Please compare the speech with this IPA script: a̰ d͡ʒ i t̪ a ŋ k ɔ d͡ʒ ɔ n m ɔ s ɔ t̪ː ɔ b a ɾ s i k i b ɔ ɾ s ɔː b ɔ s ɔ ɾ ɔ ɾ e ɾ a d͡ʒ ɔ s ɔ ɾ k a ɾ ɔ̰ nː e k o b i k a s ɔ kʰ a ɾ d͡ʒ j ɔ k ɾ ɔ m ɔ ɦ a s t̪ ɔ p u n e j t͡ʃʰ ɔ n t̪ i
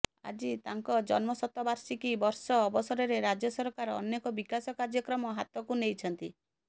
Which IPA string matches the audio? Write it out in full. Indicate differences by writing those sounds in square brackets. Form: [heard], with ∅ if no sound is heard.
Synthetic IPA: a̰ d͡ʒ i t̪ a ŋ k ɔ d͡ʒ ɔ n m ɔ s ɔ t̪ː ɔ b a ɾ s i k i b ɔ ɾ s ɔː b ɔ s ɔ ɾ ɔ ɾ e ɾ a d͡ʒ ɔ s ɔ ɾ k a ɾ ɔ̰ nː e k [ɔ] b i k a s ɔ [k] a ɾ d͡ʒ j ɔ k ɾ ɔ m ɔ ɦ a [∅] t̪ ɔ [k] u n e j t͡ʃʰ ɔ n t̪ i